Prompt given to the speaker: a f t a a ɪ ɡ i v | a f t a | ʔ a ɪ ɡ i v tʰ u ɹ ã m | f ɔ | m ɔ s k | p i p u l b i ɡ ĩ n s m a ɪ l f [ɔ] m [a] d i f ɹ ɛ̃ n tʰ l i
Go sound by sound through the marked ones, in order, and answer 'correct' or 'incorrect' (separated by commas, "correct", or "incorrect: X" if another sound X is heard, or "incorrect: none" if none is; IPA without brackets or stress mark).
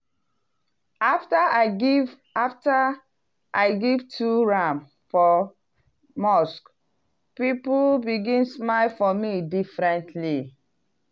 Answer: correct, incorrect: i